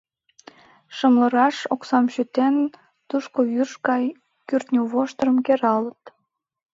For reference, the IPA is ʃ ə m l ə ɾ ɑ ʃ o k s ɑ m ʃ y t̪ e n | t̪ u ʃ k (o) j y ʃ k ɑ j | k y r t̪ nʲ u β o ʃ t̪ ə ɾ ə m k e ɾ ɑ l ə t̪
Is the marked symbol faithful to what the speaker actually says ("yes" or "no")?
yes